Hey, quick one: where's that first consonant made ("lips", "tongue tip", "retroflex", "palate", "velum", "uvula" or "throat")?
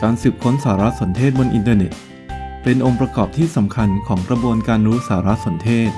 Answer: velum